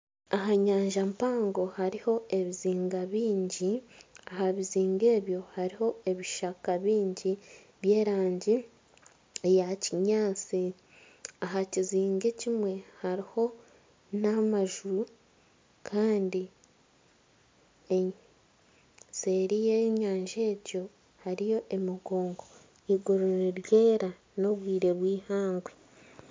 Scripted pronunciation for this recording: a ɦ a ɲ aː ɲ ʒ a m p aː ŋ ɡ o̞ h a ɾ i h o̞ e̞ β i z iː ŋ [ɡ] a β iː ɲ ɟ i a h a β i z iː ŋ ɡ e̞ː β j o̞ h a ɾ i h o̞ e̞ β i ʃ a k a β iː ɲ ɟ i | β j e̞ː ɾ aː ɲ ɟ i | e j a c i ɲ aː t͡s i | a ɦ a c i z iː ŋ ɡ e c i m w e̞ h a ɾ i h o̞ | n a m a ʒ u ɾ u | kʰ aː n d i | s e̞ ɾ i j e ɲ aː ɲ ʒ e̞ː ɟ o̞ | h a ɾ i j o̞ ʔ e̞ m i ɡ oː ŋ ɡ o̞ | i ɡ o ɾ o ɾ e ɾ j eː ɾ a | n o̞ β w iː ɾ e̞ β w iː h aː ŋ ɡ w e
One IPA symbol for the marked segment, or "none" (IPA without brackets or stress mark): ɡ